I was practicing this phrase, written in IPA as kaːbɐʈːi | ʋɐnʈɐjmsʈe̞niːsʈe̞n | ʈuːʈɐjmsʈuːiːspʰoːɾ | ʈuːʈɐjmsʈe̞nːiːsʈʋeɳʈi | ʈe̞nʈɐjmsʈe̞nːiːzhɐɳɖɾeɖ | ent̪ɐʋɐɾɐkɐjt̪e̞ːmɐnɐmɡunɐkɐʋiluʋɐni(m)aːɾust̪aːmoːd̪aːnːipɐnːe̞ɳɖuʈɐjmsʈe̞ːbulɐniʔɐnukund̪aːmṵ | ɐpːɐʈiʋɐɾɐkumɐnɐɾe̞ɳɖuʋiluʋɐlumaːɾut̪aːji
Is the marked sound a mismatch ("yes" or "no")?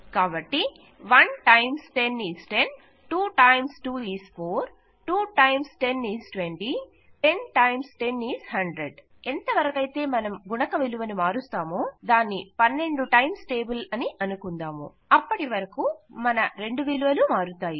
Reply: no